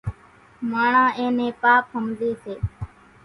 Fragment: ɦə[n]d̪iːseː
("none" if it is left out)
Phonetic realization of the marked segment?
m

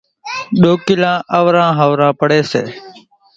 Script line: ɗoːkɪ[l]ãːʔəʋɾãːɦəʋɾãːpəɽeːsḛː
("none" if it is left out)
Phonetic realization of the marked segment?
l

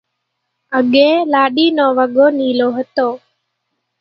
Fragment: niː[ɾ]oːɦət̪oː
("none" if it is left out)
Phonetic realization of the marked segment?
l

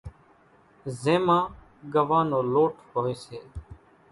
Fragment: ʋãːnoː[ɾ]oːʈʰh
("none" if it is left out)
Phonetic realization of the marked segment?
l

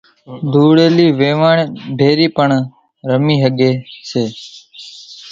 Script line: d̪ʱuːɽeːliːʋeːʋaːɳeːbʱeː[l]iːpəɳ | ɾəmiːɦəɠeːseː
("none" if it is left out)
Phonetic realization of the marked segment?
ɾ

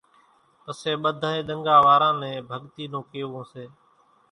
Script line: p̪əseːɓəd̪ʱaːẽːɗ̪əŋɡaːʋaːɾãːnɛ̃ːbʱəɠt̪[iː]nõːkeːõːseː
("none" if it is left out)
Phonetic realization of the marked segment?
iː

